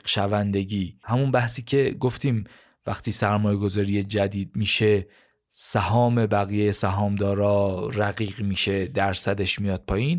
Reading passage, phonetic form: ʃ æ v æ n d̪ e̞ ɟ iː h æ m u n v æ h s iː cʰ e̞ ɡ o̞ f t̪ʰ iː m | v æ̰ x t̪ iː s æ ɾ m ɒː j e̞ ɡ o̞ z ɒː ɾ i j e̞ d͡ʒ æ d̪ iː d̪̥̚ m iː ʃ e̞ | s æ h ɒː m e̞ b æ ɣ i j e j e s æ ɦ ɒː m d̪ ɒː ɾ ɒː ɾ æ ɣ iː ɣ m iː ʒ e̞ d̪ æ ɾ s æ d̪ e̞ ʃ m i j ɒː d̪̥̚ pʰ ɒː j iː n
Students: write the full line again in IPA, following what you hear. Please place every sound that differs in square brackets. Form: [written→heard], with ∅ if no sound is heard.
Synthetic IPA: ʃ æ v æ n d̪ e̞ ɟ iː h æ m u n [v→b] æ h s iː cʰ e̞ ɡ o̞ f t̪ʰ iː m | v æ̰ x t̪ iː s æ ɾ m ɒː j e̞ ɡ o̞ z ɒː ɾ i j e̞ d͡ʒ æ d̪ iː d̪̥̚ m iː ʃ e̞ | s æ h ɒː m e̞ b æ ɣ i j e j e s æ ɦ ɒː m d̪ ɒː ɾ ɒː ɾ æ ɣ iː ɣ m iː [ʒ→ʃ] e̞ d̪ æ ɾ s æ d̪ e̞ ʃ m i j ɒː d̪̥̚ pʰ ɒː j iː n